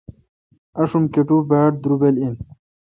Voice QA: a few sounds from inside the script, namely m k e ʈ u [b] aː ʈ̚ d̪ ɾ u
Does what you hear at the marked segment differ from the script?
no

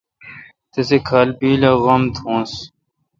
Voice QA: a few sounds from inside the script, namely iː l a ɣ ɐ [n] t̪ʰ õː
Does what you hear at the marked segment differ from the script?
yes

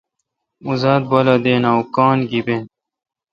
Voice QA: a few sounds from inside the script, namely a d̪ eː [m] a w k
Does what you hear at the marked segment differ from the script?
yes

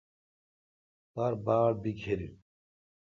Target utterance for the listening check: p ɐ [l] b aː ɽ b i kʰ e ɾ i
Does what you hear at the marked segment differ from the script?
yes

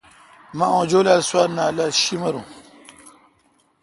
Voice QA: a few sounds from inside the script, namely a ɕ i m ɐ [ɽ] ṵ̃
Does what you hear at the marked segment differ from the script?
yes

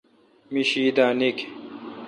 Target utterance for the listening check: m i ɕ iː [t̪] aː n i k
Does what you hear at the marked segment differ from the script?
yes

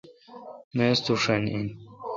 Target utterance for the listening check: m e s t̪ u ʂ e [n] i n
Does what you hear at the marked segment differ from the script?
no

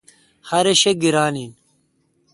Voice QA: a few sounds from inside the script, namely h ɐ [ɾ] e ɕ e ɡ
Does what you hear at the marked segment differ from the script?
no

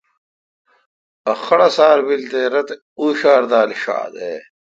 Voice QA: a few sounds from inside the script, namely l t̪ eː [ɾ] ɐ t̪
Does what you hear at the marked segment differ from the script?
no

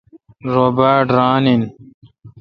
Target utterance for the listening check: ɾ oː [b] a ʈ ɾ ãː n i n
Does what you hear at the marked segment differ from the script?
no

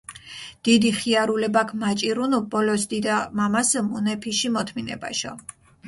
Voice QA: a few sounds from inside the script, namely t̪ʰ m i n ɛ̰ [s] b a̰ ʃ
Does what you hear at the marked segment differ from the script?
yes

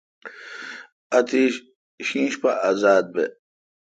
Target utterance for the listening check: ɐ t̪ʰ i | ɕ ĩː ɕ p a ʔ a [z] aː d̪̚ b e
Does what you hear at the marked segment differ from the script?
no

